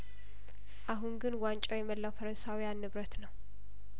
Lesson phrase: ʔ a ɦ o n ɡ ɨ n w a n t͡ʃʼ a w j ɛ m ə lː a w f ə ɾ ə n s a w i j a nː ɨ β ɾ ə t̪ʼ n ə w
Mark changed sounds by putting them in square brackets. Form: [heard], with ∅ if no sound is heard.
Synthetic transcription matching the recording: ʔ a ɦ [u] n ɡ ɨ n w a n t͡ʃʼ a w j ɛ m ə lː a w f ə ɾ ə n s a w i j a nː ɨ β ɾ ə [t̪] n ə w